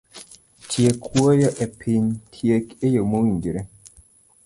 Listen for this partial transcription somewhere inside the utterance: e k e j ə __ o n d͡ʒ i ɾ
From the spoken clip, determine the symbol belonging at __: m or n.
m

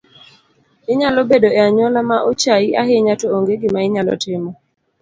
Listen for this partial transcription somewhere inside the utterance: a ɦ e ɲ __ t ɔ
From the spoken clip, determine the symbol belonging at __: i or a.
a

